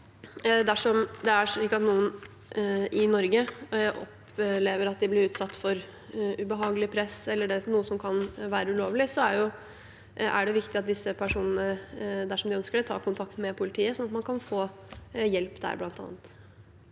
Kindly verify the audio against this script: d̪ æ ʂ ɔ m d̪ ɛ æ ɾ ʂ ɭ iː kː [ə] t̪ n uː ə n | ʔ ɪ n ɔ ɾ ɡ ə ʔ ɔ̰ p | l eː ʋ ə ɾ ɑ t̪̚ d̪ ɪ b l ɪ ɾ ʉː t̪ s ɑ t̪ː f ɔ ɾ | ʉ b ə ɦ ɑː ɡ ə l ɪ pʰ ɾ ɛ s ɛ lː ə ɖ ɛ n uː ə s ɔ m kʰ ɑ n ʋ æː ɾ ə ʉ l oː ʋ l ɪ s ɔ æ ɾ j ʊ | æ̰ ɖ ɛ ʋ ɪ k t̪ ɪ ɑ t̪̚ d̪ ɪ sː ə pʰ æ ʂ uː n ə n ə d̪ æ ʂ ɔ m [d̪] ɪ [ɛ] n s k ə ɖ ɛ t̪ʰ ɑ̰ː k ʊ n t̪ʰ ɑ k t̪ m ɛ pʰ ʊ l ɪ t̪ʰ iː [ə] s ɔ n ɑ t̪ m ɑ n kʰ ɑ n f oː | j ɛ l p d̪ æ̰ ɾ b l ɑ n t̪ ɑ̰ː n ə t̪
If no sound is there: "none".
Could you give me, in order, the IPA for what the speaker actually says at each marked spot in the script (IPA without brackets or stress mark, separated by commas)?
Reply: ɑ, d̪, œ, ə